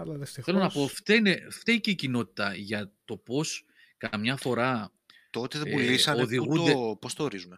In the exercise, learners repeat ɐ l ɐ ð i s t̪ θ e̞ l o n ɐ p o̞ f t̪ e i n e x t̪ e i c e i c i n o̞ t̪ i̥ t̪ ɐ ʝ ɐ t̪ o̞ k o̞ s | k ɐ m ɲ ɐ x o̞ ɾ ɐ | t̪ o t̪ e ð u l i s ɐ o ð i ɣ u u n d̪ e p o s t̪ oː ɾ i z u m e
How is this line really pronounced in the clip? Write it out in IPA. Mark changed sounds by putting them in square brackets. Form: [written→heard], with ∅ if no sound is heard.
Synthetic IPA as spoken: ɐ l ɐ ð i s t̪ θ e̞ l o n ɐ p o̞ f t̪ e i n e [x→f] t̪ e i c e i c i n o̞ t̪ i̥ t̪ ɐ ʝ ɐ t̪ o̞ [k→p] o̞ s | k ɐ m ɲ ɐ [x→f] o̞ ɾ ɐ | t̪ o t̪ e ð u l i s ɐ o ð i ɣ u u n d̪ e p o s t̪ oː ɾ i z u m e